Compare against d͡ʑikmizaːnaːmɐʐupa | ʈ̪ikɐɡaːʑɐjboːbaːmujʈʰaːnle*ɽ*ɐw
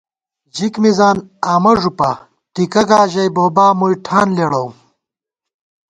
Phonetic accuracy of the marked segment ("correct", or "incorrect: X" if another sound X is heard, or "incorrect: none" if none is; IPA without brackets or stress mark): correct